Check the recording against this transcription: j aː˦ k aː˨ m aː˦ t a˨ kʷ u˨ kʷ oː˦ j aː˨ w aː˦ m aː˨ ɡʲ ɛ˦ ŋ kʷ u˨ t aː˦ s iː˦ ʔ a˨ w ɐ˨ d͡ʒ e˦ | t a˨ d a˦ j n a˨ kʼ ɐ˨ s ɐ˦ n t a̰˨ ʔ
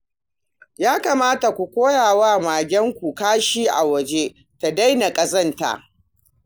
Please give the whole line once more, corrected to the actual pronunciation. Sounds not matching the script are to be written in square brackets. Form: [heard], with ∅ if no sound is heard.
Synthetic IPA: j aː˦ k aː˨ m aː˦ t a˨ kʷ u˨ kʷ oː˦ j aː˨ w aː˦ m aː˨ ɡʲ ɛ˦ ŋ kʷ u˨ [k] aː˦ [ʃ] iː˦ ʔ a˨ w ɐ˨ d͡ʒ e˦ | t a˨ d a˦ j n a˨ kʼ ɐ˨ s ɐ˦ n t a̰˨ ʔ